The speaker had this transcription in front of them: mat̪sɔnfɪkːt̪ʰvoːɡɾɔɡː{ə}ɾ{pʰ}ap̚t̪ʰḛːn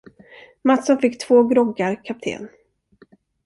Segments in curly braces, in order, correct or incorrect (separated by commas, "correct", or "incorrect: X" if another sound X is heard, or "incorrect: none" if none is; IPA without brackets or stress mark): incorrect: a, incorrect: kʰ